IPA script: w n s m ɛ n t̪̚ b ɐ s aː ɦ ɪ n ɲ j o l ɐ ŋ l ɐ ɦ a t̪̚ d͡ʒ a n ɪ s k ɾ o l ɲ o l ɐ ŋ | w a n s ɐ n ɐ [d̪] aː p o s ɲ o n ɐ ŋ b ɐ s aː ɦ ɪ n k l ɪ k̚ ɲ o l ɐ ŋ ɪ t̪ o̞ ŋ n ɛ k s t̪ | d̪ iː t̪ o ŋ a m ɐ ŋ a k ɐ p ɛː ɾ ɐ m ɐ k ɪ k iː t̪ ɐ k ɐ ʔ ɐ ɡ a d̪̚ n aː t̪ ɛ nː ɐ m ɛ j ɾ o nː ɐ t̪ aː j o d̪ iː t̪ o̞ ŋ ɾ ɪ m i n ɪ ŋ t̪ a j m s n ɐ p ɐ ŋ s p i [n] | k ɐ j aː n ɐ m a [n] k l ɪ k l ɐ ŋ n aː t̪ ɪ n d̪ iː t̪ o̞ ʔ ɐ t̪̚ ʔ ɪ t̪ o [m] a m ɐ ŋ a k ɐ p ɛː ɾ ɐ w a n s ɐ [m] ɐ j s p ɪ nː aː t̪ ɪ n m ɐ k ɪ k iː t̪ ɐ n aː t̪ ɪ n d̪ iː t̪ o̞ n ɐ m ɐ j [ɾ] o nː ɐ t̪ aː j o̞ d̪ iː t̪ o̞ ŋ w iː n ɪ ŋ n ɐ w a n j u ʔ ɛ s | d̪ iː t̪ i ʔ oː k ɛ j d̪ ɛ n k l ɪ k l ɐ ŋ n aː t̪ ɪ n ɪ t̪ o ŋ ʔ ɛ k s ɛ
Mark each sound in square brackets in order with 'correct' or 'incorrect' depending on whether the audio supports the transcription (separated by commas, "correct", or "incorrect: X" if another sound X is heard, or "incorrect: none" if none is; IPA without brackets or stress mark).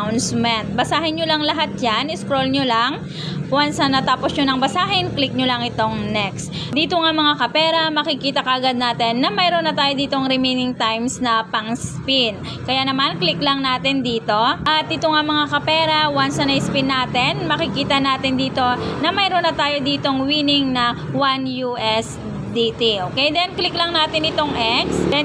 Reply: incorrect: t̪, correct, correct, incorrect: ŋ, incorrect: n, correct